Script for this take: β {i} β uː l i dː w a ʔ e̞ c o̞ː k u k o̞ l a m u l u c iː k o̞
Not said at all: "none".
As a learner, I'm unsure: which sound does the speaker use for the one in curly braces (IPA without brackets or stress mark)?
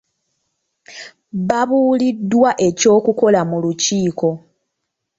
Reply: a